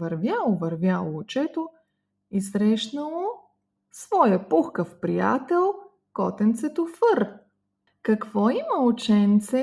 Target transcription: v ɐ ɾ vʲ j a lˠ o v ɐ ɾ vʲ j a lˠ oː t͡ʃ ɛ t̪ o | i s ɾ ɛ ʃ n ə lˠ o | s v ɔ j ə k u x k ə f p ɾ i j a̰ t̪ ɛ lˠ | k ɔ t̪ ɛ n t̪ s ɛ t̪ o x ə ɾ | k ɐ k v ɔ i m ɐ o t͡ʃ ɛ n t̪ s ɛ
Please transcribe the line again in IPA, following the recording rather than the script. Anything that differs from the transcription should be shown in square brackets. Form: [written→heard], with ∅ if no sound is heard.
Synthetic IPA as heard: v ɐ ɾ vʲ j a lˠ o v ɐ ɾ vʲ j a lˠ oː t͡ʃ ɛ t̪ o | i s ɾ ɛ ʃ n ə lˠ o | s v ɔ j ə [k→p] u x k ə f p ɾ i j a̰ t̪ ɛ lˠ | k ɔ t̪ ɛ n t̪ s ɛ t̪ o [x→f] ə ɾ | k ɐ k v ɔ i m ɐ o t͡ʃ ɛ n t̪ s ɛ